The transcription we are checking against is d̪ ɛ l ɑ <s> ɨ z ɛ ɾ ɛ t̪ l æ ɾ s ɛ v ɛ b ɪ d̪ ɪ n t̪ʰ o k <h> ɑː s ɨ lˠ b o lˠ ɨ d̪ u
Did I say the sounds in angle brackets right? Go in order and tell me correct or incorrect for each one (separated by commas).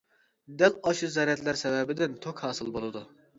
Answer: incorrect, correct